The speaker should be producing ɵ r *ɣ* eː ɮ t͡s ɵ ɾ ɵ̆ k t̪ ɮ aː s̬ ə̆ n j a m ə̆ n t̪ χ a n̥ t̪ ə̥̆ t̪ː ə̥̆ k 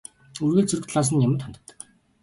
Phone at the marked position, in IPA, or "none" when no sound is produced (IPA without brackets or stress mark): ɣ